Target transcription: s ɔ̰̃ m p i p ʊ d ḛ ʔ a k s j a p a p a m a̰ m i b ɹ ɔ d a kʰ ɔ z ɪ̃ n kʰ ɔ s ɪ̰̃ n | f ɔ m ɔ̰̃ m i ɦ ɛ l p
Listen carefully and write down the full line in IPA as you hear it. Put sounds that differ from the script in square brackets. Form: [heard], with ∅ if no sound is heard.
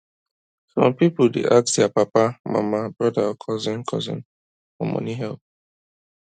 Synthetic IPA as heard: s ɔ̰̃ m p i p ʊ d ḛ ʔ a k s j a p a p a m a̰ m [a] b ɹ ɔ d a kʰ ɔ z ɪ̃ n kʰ ɔ [z] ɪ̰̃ n | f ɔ m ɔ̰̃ [n] i ɦ ɛ l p